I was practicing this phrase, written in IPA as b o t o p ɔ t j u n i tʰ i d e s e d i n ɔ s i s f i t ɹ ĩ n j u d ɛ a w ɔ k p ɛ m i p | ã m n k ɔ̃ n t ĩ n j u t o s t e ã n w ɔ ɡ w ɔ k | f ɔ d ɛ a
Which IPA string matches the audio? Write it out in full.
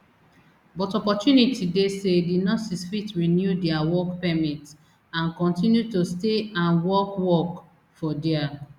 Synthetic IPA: b ɔ t ɔ p ɔ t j u n i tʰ i d e s e d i n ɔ s i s f i t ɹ i n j u d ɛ a w ɔ k p ɛ m i t | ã n k ɔ̃ n t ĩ n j u t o s t e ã n w ɔ k w ɔ k | f ɔ d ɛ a